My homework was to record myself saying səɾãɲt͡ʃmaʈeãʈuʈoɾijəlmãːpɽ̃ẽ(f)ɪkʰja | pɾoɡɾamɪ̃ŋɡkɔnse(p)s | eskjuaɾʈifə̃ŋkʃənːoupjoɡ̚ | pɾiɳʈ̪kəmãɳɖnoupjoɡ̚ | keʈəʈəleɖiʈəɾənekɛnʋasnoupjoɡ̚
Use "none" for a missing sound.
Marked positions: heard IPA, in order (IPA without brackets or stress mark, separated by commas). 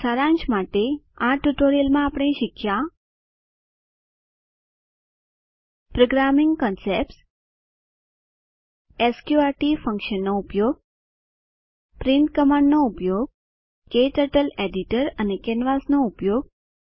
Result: ʃ, p